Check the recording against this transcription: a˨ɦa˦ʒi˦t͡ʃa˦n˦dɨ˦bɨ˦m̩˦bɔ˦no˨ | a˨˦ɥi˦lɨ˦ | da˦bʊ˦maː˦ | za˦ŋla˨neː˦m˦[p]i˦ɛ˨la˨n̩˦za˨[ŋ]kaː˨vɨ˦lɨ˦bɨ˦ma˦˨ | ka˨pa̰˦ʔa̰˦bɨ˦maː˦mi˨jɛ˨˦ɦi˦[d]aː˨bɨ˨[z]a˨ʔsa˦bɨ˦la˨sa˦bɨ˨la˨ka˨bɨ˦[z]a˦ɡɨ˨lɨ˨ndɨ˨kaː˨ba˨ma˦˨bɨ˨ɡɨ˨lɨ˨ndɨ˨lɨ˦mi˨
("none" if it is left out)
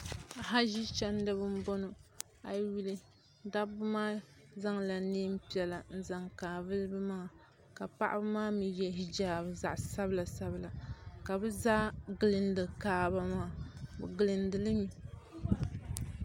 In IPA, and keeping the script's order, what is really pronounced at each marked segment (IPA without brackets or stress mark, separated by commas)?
p, ŋ, d͡ʒ, z, z